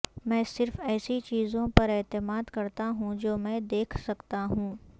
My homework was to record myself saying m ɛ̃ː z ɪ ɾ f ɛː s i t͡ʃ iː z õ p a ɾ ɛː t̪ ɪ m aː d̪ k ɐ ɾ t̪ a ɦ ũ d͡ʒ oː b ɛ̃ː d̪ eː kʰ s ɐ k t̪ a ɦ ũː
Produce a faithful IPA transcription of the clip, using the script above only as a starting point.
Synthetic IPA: m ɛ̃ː s ɪ ɾ f ɛː s i t͡ʃ iː z õ p ɐ ɾ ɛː t̪ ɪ m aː d̪ k ɐ ɾ t̪ a ɦ ũ d͡ʒ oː m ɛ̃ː d̪ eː kʰ s ɐ k t̪ a ɦ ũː

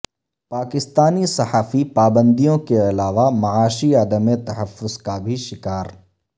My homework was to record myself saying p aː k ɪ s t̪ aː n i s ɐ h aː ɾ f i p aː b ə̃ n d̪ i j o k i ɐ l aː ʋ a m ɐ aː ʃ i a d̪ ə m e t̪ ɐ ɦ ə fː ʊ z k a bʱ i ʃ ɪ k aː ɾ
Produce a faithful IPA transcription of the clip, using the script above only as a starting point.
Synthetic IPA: p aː k ɪ s t̪ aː n i s ɐ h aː f i p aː b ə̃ n d̪ i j õ k e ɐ l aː ʋ a m ɐ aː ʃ i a d̪ ə m e t̪ ɐ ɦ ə fː ʊ z k a bʱ i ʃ ɪ k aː ɾ

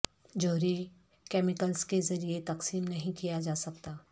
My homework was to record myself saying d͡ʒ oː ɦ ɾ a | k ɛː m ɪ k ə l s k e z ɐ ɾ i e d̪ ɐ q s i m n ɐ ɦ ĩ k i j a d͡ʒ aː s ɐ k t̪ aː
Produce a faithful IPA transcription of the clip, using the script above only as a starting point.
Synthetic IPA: d͡ʒ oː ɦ ɾ i | k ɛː m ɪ k ə l s k e z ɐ ɾ i e t̪ ɐ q s iː m n ɐ ɦ ĩ k i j a d͡ʒ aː s ɐ k t̪ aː

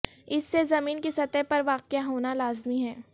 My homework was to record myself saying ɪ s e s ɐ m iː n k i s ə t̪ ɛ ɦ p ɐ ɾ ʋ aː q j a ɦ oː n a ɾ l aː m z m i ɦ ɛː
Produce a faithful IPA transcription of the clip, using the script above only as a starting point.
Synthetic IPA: ɪ sː e z ɐ m iː n k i s ɐ t̪ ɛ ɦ p ɐ ɾ ʋ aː q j a ɦ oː n a l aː z m i ɦ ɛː

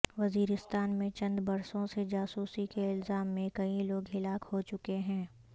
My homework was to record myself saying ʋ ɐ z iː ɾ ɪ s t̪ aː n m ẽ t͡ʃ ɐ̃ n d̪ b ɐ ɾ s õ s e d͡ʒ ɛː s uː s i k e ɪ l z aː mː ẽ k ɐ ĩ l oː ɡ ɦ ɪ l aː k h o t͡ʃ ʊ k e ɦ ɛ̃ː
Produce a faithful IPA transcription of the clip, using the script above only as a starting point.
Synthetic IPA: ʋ ɐ z iː ɾ ɪ s t̪ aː n m ẽ t͡ʃ ɐ̃ n d̪ b ɐ ɾ s õ s e d͡ʒ aː s uː s i k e ɪ l z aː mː ẽ k ɐ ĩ l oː ɡ ɦ ɪ l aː k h o t͡ʃ ʊ k e ɦ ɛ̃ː

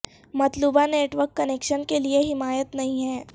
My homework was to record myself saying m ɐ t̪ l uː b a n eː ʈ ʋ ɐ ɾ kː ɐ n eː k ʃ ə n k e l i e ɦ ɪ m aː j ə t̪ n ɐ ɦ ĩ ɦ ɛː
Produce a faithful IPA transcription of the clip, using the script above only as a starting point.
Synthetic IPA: m ɐ t̪ l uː b a n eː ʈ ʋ ə ɾ kː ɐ n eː k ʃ ə n k e l i e ɦ ɪ m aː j ə t̪ n ɐ ɦ ĩ ɦ ɛː

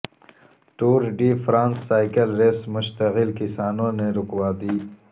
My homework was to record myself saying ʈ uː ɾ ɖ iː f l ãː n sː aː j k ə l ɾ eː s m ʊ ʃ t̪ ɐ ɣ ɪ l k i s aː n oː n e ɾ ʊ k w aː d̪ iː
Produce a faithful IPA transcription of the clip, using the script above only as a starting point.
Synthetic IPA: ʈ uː ɾ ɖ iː f ɾ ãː n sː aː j k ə l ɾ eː s m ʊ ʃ t̪ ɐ ɣ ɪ l k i s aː n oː n e ɾ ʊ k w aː d̪ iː

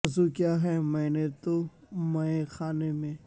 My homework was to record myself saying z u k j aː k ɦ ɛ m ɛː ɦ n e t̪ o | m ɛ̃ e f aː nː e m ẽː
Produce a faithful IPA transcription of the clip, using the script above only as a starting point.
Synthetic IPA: z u k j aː ɦ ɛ m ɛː n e t̪ o | m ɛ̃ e x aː n e m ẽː

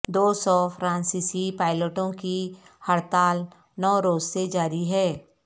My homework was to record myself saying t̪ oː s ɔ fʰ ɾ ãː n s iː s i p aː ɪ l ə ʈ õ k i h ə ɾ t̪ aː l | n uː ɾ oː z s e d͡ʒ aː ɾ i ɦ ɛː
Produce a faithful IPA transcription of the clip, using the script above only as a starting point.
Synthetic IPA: d̪ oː s ɔ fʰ ɾ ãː n s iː s i p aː ɪ l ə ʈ õ k i h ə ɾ t̪ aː l | n ɔː ɾ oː z s e d͡ʒ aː ɾ i ɦ ɛː

